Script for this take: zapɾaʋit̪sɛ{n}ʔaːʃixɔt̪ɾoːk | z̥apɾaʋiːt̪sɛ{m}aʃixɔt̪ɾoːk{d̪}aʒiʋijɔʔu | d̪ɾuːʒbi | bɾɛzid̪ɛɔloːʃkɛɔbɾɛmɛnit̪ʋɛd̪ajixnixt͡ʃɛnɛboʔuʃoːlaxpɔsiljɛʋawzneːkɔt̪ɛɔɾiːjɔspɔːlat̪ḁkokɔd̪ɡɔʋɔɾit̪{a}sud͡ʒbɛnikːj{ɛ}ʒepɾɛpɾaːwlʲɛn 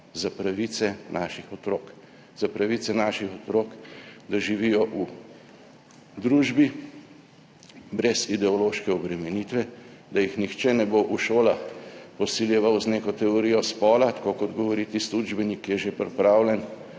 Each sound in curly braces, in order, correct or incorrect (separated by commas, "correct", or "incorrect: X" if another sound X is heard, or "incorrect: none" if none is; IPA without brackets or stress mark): correct, incorrect: n, correct, incorrect: i, correct